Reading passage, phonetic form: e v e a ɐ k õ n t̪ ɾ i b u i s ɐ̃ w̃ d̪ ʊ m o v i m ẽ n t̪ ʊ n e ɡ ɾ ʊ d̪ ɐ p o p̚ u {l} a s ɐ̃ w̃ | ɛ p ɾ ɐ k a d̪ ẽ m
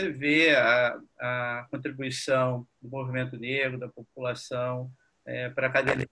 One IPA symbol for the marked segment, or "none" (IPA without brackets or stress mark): l